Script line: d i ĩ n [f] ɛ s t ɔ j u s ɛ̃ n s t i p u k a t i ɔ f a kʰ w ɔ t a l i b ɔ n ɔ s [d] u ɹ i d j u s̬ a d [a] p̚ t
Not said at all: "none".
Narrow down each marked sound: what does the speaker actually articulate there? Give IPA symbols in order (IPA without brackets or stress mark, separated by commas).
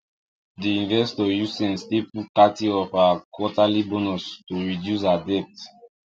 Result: v, t, ɛ